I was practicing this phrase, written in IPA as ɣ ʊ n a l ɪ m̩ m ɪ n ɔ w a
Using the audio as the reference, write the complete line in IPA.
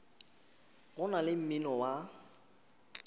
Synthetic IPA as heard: ɣ ʊ n a l ɪ m̩ m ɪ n ɔ w a